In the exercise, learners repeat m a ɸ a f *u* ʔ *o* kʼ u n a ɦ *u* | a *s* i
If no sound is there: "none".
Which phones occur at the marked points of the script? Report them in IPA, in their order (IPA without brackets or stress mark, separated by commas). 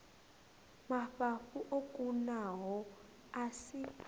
u, o, ɔ, s